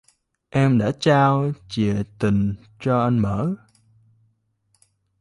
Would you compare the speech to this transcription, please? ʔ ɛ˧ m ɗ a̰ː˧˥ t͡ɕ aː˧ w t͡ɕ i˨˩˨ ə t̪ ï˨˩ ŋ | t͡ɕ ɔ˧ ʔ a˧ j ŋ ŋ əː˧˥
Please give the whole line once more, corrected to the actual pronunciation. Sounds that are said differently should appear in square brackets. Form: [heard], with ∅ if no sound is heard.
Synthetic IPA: ʔ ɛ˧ m ɗ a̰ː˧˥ t͡ɕ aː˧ w t͡ɕ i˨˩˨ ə t̪ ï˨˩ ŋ | t͡ɕ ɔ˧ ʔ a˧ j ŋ [m] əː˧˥